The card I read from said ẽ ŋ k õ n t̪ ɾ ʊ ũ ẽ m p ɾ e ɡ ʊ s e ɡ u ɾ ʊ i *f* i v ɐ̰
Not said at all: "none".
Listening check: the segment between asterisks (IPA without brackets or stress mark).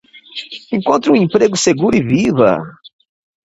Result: v